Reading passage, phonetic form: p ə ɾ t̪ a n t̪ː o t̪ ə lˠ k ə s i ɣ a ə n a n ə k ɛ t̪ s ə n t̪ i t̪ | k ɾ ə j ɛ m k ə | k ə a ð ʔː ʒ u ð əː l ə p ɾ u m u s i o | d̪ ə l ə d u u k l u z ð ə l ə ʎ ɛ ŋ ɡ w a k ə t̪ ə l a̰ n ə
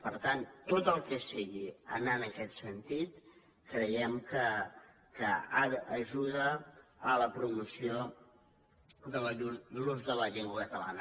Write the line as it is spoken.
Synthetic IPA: p ə ɾ t̪ a n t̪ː o t̪ ə lˠ k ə s i ɣ i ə n a n ə k ɛ t̪ s ə n t̪ i t̪ | k ɾ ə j ɛ m k ə | k ə a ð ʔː ʒ u ð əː l ə p ɾ u m u s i o | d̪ ə l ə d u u l u z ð ə l ə ʎ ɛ ŋ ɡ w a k ə t̪ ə l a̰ n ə

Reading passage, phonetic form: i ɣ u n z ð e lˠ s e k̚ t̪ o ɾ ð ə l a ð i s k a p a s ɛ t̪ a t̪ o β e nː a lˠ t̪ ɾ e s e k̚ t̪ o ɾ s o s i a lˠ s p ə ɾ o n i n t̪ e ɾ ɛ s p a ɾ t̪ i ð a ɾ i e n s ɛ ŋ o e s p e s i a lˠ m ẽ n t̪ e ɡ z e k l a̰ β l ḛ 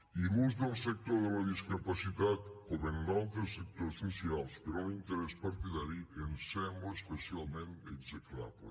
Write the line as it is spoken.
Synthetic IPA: i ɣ u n z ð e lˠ s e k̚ t̪ o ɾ ð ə l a ð i s k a p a s i t̪ a t̪ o β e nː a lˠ t̪ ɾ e s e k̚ t̪ o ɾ s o s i a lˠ s p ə ɾ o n i n t̪ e ɾ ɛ s p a ɾ t̪ i ð a ɾ i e n s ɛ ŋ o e s p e s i a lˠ m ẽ n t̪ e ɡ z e k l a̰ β l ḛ

